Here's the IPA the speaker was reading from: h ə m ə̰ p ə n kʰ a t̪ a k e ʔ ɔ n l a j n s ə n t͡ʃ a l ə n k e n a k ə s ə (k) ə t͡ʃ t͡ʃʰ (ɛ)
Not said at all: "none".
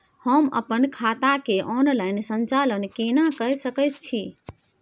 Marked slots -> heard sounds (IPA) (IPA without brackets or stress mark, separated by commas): k, i